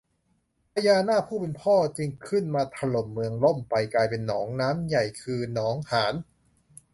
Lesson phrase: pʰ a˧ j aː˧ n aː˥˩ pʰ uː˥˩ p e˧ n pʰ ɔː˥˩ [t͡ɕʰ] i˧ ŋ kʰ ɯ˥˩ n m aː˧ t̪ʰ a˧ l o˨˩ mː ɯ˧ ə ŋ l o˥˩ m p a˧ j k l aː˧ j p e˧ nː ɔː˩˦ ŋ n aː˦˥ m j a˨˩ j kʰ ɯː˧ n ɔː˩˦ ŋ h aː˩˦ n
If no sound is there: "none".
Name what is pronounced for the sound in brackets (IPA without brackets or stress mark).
t͡ɕ